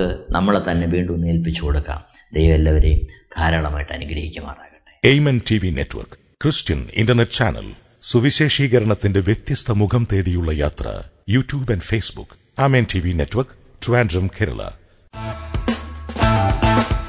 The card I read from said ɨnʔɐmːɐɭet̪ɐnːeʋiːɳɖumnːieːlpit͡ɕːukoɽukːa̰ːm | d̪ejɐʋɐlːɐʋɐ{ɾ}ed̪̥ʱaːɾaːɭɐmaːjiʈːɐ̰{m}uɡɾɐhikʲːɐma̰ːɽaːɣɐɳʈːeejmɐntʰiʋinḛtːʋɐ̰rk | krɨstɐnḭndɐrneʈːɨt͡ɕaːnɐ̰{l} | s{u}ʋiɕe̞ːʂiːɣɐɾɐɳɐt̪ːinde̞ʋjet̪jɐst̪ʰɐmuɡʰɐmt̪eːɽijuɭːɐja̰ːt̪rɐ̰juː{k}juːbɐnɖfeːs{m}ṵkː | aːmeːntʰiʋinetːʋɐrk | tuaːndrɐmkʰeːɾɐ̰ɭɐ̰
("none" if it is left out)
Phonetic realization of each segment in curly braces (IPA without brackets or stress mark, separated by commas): ɾ, n, l, u, t, b